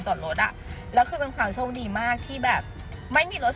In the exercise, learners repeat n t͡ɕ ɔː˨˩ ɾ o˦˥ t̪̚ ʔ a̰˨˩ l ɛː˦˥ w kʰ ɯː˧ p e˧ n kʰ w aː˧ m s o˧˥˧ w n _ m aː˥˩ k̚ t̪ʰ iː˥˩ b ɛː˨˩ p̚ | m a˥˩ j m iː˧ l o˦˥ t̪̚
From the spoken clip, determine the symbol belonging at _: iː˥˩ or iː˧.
iː˧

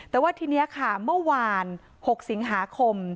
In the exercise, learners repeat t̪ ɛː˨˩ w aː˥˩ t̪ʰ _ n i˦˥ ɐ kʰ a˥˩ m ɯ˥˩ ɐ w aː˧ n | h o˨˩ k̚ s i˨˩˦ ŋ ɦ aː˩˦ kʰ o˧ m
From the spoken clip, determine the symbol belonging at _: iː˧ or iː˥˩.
iː˧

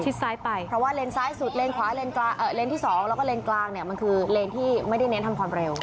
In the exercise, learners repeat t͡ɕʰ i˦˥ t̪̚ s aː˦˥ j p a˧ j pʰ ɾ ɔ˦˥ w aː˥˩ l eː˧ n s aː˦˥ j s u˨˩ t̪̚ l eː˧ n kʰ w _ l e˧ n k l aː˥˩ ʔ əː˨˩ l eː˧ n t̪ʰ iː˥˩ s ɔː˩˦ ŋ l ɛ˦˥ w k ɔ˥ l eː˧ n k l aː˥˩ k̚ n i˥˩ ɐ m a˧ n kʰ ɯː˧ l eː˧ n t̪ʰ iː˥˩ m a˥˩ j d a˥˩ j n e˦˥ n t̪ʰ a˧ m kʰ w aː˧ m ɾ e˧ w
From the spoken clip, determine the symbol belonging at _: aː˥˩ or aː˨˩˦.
aː˨˩˦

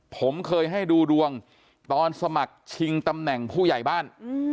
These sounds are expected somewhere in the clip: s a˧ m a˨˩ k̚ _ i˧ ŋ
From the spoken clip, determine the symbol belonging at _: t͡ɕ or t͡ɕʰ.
t͡ɕʰ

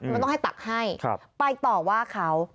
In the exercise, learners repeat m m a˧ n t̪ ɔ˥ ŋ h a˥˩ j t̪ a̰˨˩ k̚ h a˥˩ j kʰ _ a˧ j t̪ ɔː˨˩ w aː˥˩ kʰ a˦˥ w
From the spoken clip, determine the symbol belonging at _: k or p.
p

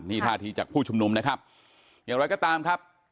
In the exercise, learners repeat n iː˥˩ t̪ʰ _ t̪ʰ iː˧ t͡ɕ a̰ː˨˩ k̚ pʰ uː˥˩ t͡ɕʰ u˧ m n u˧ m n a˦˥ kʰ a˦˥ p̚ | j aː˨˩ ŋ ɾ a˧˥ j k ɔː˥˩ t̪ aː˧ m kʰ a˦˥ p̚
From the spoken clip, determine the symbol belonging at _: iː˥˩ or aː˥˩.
aː˥˩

